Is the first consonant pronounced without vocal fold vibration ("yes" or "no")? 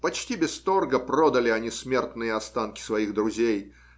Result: yes